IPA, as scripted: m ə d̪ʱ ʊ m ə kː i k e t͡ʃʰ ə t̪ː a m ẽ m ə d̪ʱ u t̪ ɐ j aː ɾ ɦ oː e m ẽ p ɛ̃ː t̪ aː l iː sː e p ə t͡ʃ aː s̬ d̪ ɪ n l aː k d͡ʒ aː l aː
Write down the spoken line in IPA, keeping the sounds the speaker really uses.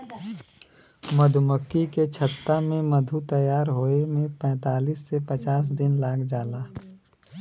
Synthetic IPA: m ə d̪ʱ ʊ m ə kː i k e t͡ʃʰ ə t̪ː a m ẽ m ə d̪ʱ u t̪ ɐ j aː ɾ ɦ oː e m ẽ p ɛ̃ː t̪ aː l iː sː e p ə t͡ʃ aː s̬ d̪ ɪ n l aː k d͡ʒ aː l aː